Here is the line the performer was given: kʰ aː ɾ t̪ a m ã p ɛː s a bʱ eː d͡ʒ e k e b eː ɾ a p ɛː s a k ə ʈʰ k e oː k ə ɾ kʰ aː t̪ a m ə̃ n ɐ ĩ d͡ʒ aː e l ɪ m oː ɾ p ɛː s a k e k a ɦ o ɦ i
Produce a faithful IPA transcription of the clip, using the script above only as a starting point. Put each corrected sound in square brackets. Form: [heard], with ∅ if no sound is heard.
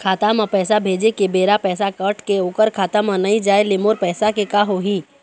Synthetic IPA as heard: kʰ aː [∅] t̪ a m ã p ɛː s a bʱ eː d͡ʒ e k e b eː ɾ a p ɛː s a k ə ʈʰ k e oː k ə ɾ kʰ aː t̪ a m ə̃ n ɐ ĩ d͡ʒ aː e l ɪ m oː ɾ p ɛː s a k e k a ɦ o ɦ i